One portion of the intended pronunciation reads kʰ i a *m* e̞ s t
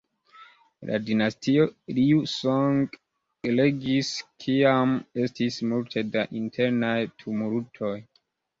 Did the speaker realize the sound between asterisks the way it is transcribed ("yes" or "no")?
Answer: yes